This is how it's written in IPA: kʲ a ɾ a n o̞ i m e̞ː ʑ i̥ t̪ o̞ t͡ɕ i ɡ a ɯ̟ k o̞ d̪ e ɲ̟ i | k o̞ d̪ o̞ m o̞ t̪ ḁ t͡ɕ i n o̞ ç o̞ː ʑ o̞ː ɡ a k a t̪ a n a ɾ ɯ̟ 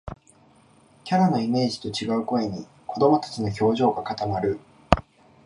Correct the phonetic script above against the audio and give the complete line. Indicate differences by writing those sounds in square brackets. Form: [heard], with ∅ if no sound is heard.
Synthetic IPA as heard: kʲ a ɾ a n o̞ i m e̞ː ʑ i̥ t̪ o̞ t͡ɕ i ɡ a ɯ̟ k o̞ [∅] e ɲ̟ i | k o̞ d̪ o̞ m o̞ t̪ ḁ t͡ɕ i n o̞ ç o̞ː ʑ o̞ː ɡ a k a t̪ a [m] a ɾ ɯ̟